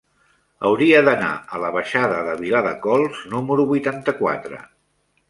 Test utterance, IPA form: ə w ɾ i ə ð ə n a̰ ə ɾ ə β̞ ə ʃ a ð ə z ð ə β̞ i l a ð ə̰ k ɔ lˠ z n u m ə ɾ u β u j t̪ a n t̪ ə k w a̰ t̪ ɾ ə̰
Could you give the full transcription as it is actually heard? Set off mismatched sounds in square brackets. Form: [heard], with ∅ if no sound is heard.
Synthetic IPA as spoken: ə w ɾ i ə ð ə n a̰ ə [l] ə β̞ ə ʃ a ð ə [∅] ð ə β̞ i l a ð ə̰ k ɔ lˠ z n u m ə ɾ u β u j t̪ a n t̪ ə k w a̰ t̪ ɾ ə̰